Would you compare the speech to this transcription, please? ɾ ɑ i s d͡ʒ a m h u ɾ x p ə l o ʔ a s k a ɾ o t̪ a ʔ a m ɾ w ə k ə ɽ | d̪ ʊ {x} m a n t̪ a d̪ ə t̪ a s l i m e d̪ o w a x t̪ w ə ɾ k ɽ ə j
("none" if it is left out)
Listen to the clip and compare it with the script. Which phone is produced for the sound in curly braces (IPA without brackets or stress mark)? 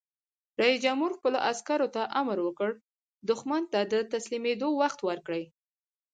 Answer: x